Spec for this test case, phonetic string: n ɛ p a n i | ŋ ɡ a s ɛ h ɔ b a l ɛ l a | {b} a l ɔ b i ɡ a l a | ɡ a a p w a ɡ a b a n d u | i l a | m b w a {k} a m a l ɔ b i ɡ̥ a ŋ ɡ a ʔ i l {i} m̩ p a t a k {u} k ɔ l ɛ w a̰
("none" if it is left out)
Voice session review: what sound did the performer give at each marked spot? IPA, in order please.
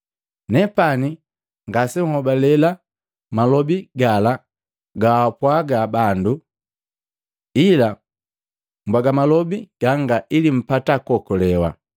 m, ɡ, i, ɔ

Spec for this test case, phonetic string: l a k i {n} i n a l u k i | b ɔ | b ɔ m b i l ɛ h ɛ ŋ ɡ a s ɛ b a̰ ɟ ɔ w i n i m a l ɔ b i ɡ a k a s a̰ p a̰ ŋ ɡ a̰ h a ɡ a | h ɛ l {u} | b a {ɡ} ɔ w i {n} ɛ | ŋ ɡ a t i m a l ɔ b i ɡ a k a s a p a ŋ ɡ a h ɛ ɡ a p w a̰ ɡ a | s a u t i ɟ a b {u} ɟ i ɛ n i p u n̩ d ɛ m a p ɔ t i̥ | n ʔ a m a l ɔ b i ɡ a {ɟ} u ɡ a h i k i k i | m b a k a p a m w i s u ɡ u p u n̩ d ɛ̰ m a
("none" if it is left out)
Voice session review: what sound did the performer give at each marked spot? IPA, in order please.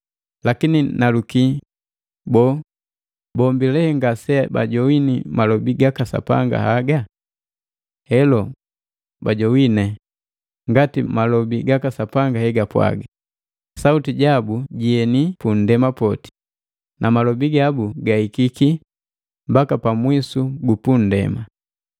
n, ɔ, ɟ, n, u, b

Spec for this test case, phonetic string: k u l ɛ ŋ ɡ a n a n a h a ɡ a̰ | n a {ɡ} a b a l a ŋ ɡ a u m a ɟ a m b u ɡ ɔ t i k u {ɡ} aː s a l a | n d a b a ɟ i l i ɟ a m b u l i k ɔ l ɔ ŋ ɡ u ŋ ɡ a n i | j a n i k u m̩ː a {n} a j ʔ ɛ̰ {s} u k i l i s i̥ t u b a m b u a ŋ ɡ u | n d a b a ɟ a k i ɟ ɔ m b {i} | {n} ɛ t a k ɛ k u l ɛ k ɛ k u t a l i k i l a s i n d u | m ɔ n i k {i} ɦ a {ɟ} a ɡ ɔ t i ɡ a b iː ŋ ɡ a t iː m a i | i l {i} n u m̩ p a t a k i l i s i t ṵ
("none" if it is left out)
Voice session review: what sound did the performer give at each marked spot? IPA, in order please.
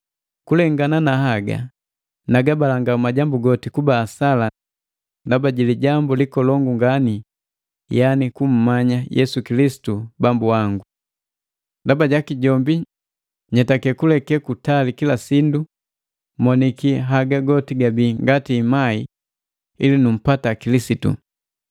ɡ, b, ɲ, s, i, ɲ, i, ɡ, i

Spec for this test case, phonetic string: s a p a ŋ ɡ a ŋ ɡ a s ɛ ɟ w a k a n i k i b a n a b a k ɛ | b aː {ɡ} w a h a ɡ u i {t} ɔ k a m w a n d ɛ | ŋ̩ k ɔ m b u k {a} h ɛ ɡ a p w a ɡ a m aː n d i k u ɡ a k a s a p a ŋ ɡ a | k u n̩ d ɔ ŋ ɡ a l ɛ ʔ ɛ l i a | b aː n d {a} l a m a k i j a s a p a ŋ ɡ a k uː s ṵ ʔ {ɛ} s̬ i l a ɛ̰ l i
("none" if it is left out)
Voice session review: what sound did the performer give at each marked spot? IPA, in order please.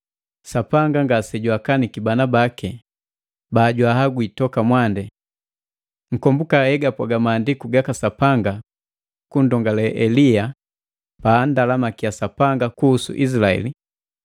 ɟ, t, a, a, i

